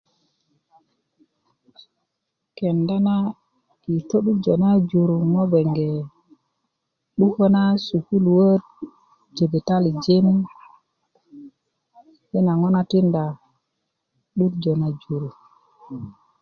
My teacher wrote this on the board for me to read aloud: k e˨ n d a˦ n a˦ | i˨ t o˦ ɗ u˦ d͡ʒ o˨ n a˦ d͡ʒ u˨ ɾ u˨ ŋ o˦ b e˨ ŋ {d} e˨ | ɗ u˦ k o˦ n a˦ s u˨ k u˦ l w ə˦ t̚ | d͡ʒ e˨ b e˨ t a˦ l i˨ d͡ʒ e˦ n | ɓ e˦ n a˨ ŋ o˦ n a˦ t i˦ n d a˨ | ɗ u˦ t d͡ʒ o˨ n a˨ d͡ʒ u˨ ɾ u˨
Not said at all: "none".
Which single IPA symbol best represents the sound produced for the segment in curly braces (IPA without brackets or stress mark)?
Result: ɡ